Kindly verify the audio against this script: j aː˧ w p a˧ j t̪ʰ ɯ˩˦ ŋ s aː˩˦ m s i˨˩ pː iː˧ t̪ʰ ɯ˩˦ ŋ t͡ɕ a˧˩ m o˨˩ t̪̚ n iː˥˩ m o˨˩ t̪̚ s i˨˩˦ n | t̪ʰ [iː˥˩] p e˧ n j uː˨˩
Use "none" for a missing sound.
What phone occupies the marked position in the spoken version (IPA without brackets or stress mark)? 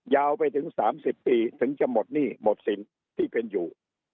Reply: iː˥˩